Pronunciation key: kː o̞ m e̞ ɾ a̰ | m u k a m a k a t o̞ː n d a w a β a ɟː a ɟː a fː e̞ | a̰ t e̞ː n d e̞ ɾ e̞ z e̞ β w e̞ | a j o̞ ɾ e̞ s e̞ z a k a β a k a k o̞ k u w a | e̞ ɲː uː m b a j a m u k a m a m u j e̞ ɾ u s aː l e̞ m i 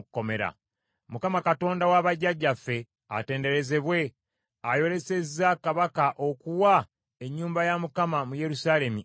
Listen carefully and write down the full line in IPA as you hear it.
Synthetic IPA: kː o̞ m e̞ ɾ a̰ | m u k a m a k a t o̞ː n d a w a β a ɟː a ɟː a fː e̞ | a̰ t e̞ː n d e̞ ɾ e̞ z e̞ β w e̞ | a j o̞ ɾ e̞ s e̞ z a k a β a k a ʔ o̞ k u w a | e̞ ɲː uː m b a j a m u k a m a m u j e̞ ɾ u s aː l e̞ m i